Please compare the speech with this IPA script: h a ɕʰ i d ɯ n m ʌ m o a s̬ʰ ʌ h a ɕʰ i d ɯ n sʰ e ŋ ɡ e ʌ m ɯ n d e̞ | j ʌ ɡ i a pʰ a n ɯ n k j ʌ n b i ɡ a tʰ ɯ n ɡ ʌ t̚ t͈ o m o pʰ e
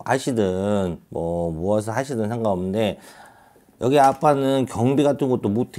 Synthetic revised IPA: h a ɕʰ i d ɯ n m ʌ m o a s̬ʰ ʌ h a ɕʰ i d ɯ n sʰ e ŋ ɡ a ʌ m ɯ n d e̞ | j ʌ ɡ i a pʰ a n ɯ n k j ʌ ŋ b i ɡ a tʰ ɯ n ɡ ʌ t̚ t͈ o m o tʰ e